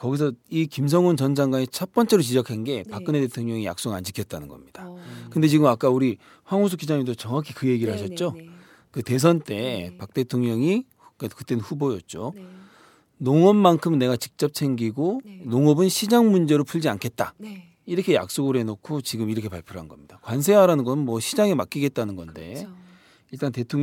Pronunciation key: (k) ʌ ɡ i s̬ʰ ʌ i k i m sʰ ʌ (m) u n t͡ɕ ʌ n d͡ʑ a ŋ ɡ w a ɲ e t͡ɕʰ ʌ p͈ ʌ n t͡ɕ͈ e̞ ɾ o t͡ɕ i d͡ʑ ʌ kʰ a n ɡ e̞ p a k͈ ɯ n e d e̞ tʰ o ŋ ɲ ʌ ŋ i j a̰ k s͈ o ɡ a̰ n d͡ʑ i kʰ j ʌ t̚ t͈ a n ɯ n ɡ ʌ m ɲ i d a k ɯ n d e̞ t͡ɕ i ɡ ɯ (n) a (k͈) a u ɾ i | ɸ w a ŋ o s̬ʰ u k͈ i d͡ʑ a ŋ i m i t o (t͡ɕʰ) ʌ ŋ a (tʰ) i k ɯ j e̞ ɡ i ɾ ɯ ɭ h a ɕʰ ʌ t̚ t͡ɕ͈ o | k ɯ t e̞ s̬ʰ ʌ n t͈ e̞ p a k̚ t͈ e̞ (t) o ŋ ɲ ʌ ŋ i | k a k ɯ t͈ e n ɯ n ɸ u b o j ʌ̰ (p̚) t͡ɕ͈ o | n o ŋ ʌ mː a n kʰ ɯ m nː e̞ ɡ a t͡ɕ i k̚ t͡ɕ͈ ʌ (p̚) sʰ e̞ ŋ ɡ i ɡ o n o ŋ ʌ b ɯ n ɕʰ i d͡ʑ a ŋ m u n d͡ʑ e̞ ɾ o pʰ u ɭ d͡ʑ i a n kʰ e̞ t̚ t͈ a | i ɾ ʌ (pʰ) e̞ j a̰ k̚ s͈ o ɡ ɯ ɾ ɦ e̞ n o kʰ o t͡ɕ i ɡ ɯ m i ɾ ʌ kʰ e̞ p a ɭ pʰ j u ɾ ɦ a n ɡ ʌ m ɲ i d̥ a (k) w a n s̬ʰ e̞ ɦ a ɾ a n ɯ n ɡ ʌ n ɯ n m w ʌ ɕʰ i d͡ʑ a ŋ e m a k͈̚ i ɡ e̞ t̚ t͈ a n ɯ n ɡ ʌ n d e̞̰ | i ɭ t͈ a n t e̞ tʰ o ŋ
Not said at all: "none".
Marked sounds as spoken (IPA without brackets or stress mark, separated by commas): k, ŋ, m, k͈, t͡ɕ, kʰ, tʰ, t̚, p̚, kʰ, k